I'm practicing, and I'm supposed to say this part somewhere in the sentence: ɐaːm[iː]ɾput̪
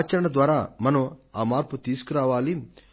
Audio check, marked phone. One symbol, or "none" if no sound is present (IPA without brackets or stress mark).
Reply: aː